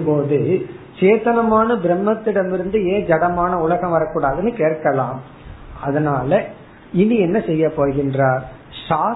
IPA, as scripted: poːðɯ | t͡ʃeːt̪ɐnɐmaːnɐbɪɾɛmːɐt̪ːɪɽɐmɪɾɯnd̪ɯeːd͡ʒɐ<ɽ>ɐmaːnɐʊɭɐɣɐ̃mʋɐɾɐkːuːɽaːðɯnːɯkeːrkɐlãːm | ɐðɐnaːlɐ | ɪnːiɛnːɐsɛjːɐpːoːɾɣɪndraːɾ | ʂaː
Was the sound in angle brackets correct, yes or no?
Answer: yes